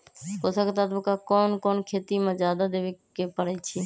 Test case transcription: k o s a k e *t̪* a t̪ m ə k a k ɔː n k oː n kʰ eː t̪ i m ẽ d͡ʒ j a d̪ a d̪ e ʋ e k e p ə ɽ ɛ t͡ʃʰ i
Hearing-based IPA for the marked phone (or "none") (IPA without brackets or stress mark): t̪